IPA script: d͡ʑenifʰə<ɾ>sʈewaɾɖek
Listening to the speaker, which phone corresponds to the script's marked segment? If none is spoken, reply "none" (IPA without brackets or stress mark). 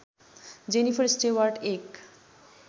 ɾ